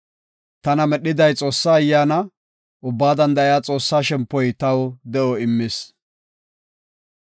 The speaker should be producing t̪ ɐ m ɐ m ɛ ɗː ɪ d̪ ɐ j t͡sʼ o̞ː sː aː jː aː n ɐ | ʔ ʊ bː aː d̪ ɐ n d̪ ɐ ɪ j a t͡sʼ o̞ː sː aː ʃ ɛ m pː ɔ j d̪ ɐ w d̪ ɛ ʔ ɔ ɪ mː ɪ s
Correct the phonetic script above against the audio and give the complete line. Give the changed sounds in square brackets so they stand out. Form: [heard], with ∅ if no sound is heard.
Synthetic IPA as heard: t̪ ɐ [n] ɐ m ɛ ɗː ɪ d̪ ɐ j t͡sʼ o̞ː sː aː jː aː n ɐ | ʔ ʊ bː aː d̪ ɐ n d̪ ɐ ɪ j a t͡sʼ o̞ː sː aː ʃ ɛ m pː ɔ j [t̪] ɐ w d̪ ɛ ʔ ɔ ɪ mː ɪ s

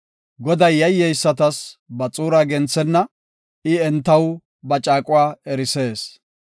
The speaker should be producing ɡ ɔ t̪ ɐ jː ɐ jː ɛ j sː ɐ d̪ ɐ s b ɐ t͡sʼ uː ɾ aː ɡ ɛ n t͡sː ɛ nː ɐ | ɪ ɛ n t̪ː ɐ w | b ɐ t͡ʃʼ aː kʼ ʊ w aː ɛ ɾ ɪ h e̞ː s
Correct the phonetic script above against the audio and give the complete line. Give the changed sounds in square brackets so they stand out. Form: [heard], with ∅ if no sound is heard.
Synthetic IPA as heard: ɡ ɔ [d̪] ɐ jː ɐ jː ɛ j sː ɐ [t̪] ɐ s b ɐ t͡sʼ uː ɾ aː ɡ ɛ n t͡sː ɛ nː ɐ | ɪ ɛ n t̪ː ɐ w | b ɐ t͡ʃʼ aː kʼ ʊ w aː ɛ ɾ ɪ [s] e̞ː s

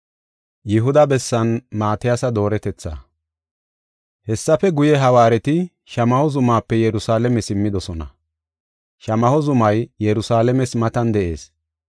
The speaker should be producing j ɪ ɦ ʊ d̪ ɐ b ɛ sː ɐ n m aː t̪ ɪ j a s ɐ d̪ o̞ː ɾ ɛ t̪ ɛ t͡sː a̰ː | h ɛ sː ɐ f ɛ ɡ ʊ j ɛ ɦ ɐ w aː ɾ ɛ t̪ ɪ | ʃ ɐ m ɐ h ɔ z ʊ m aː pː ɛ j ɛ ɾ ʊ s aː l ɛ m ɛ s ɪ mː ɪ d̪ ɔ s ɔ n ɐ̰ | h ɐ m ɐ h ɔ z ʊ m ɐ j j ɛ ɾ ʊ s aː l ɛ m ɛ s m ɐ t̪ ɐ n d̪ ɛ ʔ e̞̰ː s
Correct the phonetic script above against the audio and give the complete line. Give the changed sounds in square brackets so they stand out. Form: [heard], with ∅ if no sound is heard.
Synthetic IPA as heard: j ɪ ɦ ʊ d̪ ɐ b ɛ sː ɐ n m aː t̪ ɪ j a s ɐ d̪ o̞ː ɾ ɛ t̪ ɛ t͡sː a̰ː | h ɛ sː ɐ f ɛ ɡ ʊ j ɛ ɦ ɐ w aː ɾ ɛ t̪ ɪ | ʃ ɐ m ɐ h ɔ z ʊ m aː pː ɛ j ɛ ɾ ʊ s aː l ɛ m ɛ s ɪ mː ɪ d̪ ɔ s ɔ n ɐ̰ | [ʃ] ɐ m ɐ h ɔ z ʊ m ɐ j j ɛ ɾ ʊ s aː l ɛ m ɛ s m ɐ t̪ ɐ n d̪ ɛ ʔ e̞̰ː s

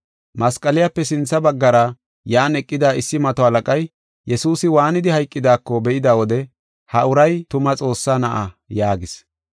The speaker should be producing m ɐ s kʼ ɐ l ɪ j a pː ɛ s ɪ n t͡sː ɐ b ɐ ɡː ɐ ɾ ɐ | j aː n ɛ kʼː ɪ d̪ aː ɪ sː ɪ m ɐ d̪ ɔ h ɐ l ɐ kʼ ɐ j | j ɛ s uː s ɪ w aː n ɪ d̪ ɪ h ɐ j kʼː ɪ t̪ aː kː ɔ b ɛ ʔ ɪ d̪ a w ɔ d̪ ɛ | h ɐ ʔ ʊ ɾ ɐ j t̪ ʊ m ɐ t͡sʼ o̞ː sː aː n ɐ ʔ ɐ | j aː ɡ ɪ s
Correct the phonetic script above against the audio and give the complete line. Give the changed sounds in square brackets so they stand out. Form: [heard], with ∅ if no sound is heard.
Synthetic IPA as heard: m ɐ s kʼ ɐ l ɪ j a pː ɛ s ɪ n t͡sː ɐ b ɐ ɡː ɐ ɾ ɐ | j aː n ɛ kʼː ɪ d̪ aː ɪ sː ɪ m ɐ [t̪] ɔ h ɐ l ɐ kʼ ɐ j | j ɛ s uː s ɪ w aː n ɪ d̪ ɪ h ɐ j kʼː ɪ [d̪] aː kː ɔ b ɛ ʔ ɪ d̪ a w ɔ d̪ ɛ | h ɐ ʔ ʊ ɾ ɐ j t̪ ʊ m ɐ t͡sʼ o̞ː sː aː n ɐ ʔ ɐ | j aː ɡ ɪ s

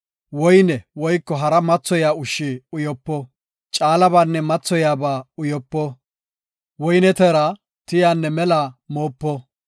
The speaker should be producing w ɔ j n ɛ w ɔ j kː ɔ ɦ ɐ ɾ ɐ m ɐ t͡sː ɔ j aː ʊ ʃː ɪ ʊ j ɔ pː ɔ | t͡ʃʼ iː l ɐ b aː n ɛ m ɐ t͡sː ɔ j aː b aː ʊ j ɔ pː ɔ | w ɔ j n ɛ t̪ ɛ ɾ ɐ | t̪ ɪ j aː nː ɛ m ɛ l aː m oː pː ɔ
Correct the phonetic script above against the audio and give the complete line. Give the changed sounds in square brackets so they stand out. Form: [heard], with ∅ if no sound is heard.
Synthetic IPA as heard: w ɔ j n ɛ w ɔ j kː ɔ ɦ ɐ ɾ ɐ m ɐ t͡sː ɔ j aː ʊ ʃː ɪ ʊ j ɔ pː ɔ | t͡ʃʼ [aː] l ɐ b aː [nː] ɛ m ɐ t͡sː ɔ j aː b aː ʊ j ɔ pː ɔ | w ɔ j n ɛ t̪ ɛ ɾ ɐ | t̪ ɪ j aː nː ɛ m ɛ l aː m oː pː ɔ

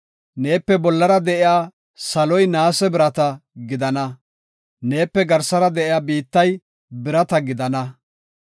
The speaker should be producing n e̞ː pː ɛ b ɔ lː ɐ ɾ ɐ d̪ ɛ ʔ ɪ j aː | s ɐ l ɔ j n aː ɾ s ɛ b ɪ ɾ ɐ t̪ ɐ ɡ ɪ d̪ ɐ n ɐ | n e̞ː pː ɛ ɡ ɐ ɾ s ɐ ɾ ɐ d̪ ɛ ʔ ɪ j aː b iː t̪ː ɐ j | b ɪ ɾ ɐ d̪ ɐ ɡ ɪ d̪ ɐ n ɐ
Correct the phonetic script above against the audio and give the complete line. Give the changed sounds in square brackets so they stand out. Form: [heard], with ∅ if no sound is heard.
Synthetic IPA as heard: n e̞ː pː ɛ b ɔ lː ɐ ɾ ɐ d̪ ɛ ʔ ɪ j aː | s ɐ l ɔ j n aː [∅] s ɛ b ɪ ɾ ɐ t̪ ɐ ɡ ɪ d̪ ɐ n ɐ | n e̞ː pː ɛ ɡ ɐ ɾ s ɐ ɾ ɐ d̪ ɛ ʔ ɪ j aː b iː t̪ː ɐ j | b ɪ ɾ ɐ [t̪] ɐ ɡ ɪ d̪ ɐ n ɐ

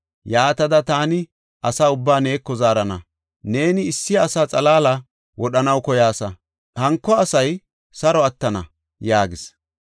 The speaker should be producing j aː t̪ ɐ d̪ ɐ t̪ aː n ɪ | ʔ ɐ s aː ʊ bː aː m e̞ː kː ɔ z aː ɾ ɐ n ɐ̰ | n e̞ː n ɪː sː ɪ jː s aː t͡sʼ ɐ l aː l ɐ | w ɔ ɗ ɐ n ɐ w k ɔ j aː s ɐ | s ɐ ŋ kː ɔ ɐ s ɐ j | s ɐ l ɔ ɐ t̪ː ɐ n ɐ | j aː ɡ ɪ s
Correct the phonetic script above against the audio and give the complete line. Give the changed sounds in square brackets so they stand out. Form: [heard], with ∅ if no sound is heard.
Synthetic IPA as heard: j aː t̪ ɐ d̪ ɐ t̪ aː n ɪ | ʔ ɐ s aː ʊ bː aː [n] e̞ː kː ɔ z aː ɾ ɐ n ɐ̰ | n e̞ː n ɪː sː ɪ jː s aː t͡sʼ ɐ l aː l ɐ | w ɔ ɗ ɐ n ɐ w k ɔ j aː s ɐ | [h] ɐ ŋ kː ɔ ɐ s ɐ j | s ɐ [ɾ] ɔ ɐ t̪ː ɐ n ɐ | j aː ɡ ɪ s

